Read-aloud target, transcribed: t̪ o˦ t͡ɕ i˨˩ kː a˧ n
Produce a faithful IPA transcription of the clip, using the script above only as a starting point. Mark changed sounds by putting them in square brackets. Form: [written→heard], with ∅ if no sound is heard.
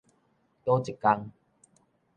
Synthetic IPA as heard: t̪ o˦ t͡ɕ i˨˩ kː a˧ [n→ŋ]